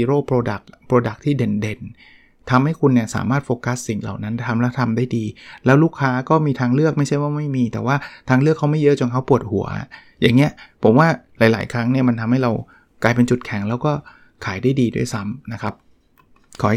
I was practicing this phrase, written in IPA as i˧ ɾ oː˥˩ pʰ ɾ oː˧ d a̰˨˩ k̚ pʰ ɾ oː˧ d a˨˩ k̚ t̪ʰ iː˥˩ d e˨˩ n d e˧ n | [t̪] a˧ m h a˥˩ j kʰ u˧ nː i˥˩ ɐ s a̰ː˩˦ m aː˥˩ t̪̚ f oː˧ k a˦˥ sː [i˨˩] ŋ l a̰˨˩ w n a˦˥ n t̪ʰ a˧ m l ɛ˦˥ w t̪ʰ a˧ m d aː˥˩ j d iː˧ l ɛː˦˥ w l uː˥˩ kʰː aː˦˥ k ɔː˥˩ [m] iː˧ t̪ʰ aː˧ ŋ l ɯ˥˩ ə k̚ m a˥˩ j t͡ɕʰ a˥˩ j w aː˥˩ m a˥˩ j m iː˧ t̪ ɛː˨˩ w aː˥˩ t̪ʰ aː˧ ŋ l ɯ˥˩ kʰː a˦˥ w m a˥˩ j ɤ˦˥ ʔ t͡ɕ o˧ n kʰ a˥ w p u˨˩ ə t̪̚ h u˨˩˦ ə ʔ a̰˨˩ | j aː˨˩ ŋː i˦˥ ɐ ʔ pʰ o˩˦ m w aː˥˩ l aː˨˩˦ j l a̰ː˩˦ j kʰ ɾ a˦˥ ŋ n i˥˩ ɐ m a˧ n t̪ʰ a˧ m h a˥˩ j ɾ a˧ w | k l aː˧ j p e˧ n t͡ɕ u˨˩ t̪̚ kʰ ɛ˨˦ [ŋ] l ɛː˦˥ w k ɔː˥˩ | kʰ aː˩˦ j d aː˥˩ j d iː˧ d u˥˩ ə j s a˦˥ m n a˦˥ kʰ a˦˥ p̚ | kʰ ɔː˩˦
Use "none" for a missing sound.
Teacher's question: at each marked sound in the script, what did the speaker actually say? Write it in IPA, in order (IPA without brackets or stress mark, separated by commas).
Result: t̪ʰ, i˨˩, m, ŋ